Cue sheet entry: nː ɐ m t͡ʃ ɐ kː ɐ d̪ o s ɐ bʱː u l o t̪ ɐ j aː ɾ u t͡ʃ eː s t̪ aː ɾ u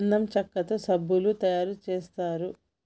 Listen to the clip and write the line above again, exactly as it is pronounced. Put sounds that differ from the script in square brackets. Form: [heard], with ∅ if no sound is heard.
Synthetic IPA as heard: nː ɐ m t͡ʃ ɐ kː ɐ [t̪] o s ɐ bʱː u l [u] t̪ ɐ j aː ɾ u t͡ʃ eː s t̪ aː ɾ u